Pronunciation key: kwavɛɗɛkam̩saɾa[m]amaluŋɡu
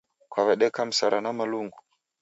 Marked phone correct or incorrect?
incorrect